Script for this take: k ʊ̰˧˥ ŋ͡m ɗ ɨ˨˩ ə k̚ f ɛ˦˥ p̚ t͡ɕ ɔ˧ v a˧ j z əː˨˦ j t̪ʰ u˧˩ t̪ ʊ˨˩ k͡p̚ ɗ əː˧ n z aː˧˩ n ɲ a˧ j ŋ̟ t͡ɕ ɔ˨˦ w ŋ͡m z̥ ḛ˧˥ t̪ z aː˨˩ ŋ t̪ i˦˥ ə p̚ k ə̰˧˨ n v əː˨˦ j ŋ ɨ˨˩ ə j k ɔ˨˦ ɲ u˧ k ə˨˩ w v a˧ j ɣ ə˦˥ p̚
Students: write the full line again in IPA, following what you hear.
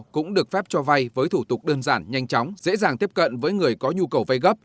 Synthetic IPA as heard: k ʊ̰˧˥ ŋ͡m ɗ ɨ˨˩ ə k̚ f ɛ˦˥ p̚ t͡ɕ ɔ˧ v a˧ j v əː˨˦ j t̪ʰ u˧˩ t̪ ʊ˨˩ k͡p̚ ɗ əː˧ n z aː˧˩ n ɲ a˧ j ŋ̟ t͡ɕ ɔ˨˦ w ŋ͡m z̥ ḛ˧˥ z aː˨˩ ŋ t̪ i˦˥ ə p̚ k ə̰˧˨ n v əː˨˦ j ŋ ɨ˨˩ ə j k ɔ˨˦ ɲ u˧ k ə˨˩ w v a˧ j ɣ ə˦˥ p̚